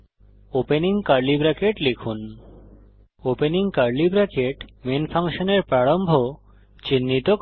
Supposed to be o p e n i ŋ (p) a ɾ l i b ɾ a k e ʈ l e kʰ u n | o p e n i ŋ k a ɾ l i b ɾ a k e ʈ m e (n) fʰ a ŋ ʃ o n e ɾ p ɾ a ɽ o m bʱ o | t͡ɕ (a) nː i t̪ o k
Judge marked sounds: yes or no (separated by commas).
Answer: no, yes, no